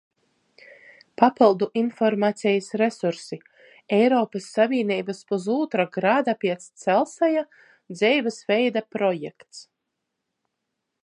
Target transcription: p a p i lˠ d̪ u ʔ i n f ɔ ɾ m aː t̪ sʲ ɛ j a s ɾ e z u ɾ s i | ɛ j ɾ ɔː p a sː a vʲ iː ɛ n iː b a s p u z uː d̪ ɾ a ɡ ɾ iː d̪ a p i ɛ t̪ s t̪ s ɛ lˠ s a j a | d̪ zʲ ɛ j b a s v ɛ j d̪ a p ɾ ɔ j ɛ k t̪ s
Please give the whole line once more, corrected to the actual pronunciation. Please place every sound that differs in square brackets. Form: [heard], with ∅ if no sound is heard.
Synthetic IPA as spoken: p a p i lˠ d̪ u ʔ i n f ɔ ɾ m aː t̪ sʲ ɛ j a s ɾ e [s] u ɾ s i | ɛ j ɾ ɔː p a sː a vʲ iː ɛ n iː b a s p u z uː [t̪] ɾ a ɡ ɾ [aː] d̪ a p i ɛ t̪ s t̪ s ɛ lˠ s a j a | d̪ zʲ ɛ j [v] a s v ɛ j d̪ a p ɾ ɔ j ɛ k t̪ s